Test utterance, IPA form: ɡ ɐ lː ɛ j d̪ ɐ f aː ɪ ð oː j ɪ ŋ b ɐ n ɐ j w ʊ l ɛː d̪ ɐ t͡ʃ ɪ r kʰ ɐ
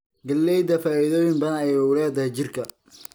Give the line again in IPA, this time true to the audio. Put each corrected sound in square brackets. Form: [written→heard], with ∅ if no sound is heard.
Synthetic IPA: ɡ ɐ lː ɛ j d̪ ɐ f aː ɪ ð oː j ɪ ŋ b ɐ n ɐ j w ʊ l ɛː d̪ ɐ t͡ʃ ɪ r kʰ ɐ